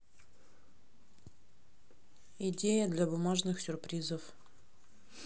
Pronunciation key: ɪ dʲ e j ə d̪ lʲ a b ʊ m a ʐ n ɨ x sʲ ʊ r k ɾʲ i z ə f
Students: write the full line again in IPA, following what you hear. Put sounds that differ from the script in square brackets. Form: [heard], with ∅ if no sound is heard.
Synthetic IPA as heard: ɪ dʲ e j ə d̪ lʲ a b ʊ m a ʐ n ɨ x sʲ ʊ r [p] ɾʲ i z ə f